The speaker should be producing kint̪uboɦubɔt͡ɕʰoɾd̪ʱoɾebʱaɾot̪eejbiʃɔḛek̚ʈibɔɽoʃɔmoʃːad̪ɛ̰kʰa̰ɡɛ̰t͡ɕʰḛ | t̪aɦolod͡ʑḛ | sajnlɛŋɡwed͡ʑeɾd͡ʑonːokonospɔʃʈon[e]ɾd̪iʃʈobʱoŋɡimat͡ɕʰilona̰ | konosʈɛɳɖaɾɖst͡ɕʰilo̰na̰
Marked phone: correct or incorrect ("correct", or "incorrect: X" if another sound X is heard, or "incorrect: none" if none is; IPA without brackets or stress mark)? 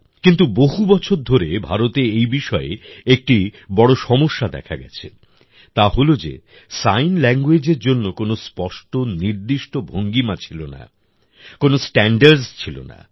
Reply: incorrect: i